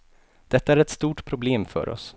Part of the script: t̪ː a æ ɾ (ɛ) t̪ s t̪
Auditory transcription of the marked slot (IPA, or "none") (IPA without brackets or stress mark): ɛ